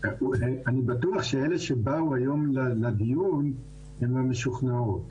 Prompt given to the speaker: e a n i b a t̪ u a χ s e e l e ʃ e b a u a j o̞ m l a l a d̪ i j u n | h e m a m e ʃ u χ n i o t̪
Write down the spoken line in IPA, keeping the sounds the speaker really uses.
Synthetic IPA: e a n i b a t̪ u a χ ʃ e e l e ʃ e b a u a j o̞ m l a l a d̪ i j u n | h e m a m e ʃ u χ n a o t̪